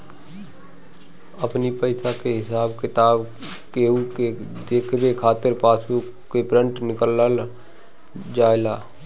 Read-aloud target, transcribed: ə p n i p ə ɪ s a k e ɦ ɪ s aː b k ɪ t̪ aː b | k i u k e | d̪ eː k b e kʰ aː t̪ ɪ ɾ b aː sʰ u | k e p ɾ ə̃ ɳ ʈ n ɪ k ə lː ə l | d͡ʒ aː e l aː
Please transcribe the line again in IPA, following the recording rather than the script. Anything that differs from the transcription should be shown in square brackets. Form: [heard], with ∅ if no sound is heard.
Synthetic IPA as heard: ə p n i p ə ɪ s a k e ɦ ɪ s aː b k ɪ t̪ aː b | k [e] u k e | d̪ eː [kʰ] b e kʰ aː t̪ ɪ ɾ [p] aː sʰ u | k e p ɾ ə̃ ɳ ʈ n ɪ k ə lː ə l | d͡ʒ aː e l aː

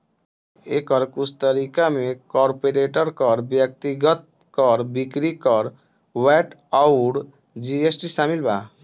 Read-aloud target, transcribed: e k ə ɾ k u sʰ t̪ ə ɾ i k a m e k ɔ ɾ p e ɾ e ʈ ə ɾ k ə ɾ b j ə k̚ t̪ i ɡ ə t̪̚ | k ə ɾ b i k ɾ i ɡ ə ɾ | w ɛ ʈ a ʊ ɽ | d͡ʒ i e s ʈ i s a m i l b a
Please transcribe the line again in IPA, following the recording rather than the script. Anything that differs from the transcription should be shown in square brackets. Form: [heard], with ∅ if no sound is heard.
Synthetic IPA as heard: e k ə ɾ k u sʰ t̪ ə ɾ i k a m e k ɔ ɾ p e ɾ e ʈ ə ɾ k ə ɾ b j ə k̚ t̪ i ɡ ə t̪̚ | k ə ɾ b i k ɾ i [k] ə ɾ | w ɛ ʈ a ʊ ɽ | d͡ʒ i e s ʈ i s a m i l b a

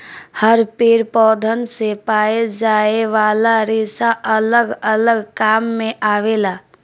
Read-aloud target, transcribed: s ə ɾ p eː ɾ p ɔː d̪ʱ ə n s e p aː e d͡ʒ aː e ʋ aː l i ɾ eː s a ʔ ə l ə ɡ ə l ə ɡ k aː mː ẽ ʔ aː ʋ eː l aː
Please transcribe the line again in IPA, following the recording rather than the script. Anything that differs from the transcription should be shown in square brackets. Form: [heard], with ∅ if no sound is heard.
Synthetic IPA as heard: [h] ə ɾ p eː ɾ p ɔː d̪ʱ ə n s e p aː e d͡ʒ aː e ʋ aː l [a] ɾ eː s a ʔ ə l ə ɡ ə l ə ɡ k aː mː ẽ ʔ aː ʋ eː l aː

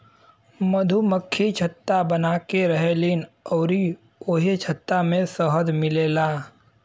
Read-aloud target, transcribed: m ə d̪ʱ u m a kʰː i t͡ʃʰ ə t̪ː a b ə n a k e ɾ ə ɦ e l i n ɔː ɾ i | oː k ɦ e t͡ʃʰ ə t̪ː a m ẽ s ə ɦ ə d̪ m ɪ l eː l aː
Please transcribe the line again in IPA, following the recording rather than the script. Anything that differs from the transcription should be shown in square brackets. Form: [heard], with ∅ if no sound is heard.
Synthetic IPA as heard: m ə d̪ʱ u m [ə] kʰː i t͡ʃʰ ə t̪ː a b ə n a k e ɾ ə ɦ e l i n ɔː ɾ i | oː [∅] ɦ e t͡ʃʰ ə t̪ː a m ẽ s ə ɦ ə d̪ m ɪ l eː l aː

